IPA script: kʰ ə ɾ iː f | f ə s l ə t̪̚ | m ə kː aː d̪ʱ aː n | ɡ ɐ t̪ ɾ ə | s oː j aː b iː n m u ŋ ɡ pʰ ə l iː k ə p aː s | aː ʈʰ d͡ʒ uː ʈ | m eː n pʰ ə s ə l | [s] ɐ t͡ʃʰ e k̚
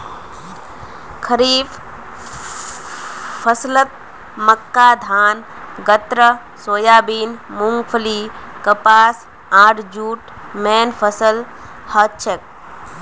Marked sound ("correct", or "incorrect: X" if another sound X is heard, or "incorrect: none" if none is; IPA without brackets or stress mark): incorrect: h